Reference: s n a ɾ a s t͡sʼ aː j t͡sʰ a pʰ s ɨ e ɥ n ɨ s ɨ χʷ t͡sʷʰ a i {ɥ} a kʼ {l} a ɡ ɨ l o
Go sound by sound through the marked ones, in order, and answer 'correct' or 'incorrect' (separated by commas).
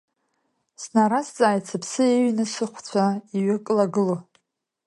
correct, correct